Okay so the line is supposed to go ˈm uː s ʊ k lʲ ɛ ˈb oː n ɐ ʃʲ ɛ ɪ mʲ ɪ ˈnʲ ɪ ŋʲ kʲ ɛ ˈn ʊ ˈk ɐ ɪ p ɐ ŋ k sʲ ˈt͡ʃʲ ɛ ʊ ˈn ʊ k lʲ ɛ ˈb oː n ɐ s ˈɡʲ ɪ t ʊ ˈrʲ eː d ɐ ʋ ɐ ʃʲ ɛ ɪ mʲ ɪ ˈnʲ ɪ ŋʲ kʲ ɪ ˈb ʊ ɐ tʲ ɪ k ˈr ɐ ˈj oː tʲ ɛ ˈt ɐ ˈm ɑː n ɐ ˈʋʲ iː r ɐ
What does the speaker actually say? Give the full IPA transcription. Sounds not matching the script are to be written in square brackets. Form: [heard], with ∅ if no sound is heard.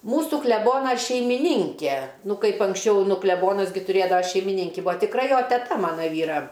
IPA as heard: ˈm uː s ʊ k lʲ ɛ ˈb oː n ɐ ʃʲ ɛ ɪ mʲ ɪ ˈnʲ ɪ ŋʲ kʲ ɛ ˈn ʊ ˈk ɐ ɪ p ɐ ŋ k sʲ ˈt͡ʃʲ ɛ ʊ ˈn ʊ k lʲ ɛ ˈb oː n ɐ s ˈɡʲ ɪ t ʊ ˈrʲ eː d ɐ ʋ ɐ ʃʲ ɛ ɪ mʲ ɪ ˈnʲ ɪ ŋʲ kʲ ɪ ˈb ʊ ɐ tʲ ɪ k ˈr ɐ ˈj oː tʲ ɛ ˈt ɐ ˈm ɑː n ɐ ˈʋʲ iː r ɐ